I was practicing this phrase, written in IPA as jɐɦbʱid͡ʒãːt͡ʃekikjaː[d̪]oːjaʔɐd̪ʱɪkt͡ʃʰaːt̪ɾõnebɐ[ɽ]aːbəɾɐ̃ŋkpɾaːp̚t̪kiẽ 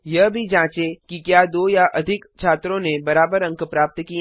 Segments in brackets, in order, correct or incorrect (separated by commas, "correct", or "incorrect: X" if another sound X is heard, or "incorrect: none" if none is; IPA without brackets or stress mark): correct, incorrect: ɾ